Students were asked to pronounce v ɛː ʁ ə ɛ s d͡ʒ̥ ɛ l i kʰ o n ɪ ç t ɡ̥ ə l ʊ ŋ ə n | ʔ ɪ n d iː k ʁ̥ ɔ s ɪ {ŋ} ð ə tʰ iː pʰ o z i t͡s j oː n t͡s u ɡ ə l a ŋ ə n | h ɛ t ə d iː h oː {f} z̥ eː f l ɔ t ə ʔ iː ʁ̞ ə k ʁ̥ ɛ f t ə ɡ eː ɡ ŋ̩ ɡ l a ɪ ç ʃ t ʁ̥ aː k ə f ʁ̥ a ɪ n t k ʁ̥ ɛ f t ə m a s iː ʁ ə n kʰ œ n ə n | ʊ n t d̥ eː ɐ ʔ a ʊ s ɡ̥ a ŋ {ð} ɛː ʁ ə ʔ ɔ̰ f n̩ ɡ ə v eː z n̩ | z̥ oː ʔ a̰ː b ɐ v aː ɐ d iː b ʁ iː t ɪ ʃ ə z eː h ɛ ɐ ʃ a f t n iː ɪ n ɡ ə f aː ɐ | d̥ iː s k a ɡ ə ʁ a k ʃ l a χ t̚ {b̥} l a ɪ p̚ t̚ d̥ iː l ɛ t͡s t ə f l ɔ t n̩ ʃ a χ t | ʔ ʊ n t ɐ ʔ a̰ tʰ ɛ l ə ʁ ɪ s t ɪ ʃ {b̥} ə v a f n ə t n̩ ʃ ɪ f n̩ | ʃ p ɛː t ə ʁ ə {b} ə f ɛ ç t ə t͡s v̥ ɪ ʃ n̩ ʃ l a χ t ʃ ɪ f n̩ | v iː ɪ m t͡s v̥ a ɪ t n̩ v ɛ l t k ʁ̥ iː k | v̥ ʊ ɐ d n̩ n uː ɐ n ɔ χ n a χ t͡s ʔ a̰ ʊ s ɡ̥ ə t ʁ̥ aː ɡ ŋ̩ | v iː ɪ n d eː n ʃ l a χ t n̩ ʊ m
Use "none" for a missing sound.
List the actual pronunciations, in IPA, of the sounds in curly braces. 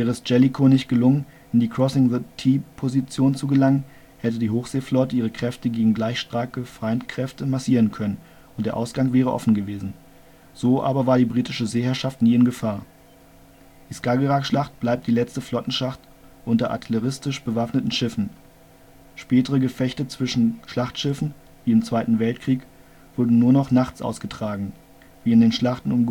ŋ, x, v, b̥, b̥, ɡ

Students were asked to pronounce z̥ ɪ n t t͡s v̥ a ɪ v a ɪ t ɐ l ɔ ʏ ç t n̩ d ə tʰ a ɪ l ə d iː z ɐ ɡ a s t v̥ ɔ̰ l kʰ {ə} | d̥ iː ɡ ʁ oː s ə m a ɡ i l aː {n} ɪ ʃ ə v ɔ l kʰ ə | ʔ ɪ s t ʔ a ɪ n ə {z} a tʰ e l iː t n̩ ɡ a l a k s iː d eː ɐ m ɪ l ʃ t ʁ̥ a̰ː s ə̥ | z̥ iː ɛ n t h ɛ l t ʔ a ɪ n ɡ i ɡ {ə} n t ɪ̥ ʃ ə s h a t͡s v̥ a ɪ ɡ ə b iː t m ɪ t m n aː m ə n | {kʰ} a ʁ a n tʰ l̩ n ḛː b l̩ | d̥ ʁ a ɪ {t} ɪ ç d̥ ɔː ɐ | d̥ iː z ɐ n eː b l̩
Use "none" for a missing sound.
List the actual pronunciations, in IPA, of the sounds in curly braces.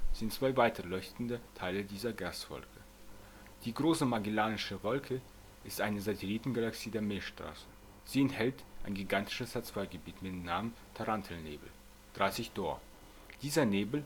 ə, n, z, a, tʰ, s

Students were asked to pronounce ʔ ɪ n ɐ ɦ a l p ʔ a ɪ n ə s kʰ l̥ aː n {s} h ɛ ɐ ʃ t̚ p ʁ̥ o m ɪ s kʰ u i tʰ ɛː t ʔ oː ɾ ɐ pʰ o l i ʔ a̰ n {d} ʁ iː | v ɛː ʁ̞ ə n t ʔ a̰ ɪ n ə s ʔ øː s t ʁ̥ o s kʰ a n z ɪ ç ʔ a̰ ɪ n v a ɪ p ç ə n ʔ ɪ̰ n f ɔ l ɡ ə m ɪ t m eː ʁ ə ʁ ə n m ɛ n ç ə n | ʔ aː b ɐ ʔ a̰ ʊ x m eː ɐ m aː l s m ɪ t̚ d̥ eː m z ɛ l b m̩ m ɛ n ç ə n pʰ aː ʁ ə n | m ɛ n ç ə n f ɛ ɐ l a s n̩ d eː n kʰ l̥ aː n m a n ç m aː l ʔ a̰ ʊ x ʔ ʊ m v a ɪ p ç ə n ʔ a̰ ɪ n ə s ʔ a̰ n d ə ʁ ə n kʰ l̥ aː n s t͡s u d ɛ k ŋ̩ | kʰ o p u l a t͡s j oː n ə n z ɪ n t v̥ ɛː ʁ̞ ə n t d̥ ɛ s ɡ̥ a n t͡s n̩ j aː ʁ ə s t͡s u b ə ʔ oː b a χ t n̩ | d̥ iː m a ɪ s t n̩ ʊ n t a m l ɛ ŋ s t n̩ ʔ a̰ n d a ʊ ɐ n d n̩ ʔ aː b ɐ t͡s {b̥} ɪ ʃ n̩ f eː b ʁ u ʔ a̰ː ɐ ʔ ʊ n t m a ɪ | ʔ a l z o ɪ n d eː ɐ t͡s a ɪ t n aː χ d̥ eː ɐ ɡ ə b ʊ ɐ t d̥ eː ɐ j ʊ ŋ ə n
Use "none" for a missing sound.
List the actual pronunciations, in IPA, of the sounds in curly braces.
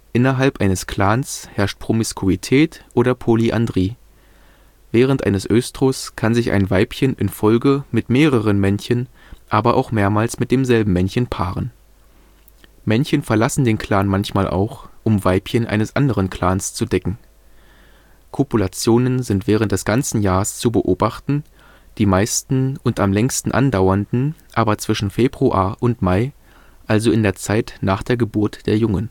s, d, v̥

